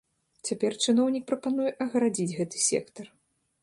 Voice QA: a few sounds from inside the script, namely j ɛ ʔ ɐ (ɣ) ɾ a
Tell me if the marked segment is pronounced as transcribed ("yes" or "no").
yes